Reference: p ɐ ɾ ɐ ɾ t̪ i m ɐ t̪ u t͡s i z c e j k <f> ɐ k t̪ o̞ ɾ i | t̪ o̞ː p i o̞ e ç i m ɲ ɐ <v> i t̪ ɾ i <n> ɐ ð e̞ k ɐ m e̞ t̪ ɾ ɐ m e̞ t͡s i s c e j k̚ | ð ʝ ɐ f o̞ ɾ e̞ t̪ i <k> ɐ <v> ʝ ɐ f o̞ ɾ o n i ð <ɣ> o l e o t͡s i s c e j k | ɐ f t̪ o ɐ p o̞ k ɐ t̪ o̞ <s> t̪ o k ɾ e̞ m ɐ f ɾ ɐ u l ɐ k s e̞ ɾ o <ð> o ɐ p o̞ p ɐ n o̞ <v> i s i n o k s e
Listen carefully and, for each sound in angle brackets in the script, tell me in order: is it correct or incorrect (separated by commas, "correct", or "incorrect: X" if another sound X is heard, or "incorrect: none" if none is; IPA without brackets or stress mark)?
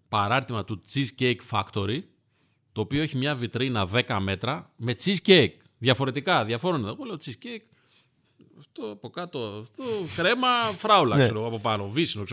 correct, correct, correct, correct, incorrect: ð, correct, incorrect: f, incorrect: ɣ, correct